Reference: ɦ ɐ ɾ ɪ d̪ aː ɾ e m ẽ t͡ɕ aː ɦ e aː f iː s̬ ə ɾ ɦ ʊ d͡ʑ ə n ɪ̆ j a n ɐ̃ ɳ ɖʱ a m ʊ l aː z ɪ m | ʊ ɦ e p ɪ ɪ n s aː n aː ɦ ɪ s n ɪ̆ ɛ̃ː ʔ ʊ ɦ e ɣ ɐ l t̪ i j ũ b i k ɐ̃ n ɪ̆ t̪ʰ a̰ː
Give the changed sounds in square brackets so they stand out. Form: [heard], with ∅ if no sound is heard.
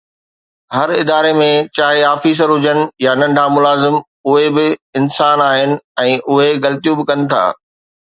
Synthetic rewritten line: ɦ ɐ ɾ ɪ d̪ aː ɾ e m ẽ t͡ɕ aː ɦ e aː f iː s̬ ə ɾ ɦ ʊ d͡ʑ ə n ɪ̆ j a n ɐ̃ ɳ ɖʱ a m ʊ l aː z ɪ m | ʊ ɦ e [b] ɪ ɪ n s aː n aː ɦ ɪ [∅] n ɪ̆ ɛ̃ː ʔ ʊ ɦ e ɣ ɐ l t̪ i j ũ b [ɪ] k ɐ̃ n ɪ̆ t̪ʰ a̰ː